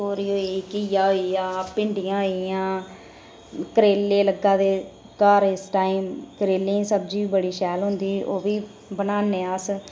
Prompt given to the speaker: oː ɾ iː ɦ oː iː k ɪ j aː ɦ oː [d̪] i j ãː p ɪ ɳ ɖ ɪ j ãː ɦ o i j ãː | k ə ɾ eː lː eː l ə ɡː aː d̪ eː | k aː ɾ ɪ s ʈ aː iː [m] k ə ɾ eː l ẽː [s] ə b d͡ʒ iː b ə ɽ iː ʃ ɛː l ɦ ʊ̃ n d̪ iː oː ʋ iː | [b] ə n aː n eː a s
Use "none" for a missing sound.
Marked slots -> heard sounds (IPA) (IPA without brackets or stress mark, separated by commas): none, m, s, b